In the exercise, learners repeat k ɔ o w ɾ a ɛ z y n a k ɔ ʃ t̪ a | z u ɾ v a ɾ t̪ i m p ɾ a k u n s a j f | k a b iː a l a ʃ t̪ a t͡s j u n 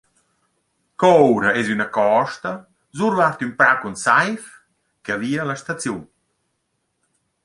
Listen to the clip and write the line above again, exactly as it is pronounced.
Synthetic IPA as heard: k ɔ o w ɾ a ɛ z y n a k ɔ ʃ t̪ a | z u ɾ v a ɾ t̪ y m p ɾ a k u n s a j f | k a v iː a l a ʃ t̪ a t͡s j u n